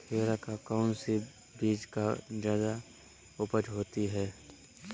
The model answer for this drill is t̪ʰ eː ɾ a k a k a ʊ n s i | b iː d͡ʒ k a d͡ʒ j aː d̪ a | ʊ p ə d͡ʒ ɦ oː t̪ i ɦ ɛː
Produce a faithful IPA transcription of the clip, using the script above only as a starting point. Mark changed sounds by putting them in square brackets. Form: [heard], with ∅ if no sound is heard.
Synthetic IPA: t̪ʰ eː ɾ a k a k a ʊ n s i | b iː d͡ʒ k a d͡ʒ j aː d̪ a | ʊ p ə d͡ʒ ɦ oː t̪ i ɦ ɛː